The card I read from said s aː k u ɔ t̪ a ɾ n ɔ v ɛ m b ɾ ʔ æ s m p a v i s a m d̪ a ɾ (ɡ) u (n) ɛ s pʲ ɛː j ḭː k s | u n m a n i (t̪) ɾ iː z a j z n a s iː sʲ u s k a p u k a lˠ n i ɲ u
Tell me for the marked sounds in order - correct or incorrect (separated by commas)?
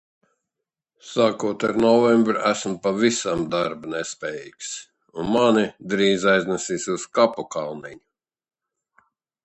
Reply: incorrect, correct, incorrect